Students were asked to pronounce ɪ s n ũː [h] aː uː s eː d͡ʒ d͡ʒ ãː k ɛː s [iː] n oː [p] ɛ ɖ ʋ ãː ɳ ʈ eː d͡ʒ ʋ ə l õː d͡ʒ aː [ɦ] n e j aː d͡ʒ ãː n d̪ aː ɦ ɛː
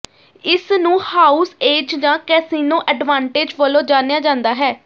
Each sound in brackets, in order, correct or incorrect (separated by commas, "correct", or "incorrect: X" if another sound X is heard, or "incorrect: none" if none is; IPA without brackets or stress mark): correct, correct, incorrect: ʔ, incorrect: none